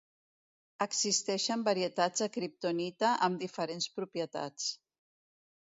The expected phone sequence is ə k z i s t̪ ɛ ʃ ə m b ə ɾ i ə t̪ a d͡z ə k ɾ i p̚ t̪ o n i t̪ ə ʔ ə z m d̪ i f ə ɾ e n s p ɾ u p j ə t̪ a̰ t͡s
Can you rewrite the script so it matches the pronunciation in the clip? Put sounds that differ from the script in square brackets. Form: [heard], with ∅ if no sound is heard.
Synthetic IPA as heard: ə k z i s t̪ ɛ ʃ ə m b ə ɾ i ə t̪ a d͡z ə k ɾ i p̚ t̪ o n i t̪ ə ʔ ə [∅] m d̪ i f ə ɾ e n s p ɾ u p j ə t̪ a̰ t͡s